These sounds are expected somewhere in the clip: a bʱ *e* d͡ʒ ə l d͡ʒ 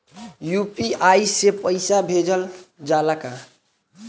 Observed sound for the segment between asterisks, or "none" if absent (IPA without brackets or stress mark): e